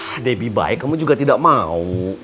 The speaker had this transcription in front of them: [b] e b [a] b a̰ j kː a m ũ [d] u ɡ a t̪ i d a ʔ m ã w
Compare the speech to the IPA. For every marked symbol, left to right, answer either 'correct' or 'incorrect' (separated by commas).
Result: incorrect, incorrect, incorrect